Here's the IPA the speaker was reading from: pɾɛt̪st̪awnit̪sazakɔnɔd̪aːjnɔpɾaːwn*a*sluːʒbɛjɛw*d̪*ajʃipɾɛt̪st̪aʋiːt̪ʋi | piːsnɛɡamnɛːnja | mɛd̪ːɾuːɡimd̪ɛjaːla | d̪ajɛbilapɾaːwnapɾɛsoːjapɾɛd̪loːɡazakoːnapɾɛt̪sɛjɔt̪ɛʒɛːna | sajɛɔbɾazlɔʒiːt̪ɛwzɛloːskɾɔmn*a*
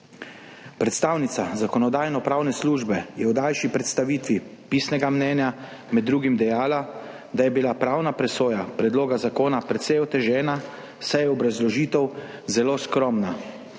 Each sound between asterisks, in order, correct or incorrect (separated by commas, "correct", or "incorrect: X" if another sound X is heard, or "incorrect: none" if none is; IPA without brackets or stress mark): incorrect: ɛ, correct, correct